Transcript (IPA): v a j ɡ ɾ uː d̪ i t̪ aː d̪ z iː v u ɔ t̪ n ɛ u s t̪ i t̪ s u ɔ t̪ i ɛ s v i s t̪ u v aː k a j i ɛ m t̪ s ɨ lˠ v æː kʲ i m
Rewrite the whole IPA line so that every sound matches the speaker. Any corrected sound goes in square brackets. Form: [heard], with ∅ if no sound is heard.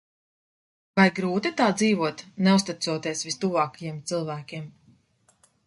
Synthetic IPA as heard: v a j ɡ ɾ uː [t̪] i t̪ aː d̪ z iː v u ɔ t̪ n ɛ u s t̪ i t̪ s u ɔ t̪ i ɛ s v i s t̪ u v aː k a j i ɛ m t̪ s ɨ lˠ v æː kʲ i m